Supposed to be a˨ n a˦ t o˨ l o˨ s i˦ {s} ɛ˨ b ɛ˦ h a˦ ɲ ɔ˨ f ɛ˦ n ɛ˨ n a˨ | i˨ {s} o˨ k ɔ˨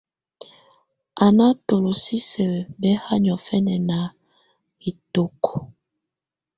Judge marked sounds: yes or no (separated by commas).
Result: yes, no